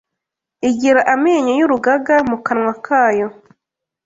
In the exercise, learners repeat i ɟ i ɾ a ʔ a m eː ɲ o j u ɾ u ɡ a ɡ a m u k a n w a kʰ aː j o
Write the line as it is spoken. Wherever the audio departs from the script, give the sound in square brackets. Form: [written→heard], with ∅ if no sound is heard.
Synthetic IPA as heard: i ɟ i ɾ a ʔ a m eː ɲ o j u ɾ u ɡ a ɡ a m u k a n w a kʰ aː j o